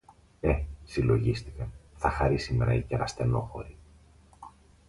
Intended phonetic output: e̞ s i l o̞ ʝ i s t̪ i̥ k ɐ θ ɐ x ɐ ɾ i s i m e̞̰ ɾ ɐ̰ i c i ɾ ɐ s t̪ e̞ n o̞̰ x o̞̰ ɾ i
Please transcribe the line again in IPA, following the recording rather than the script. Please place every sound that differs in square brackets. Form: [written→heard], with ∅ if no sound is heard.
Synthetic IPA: e̞ s i l o̞ ʝ i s t̪ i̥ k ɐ θ ɐ x ɐ ɾ i s i m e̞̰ ɾ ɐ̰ i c [i→e] ɾ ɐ s t̪ e̞ n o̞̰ x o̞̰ ɾ i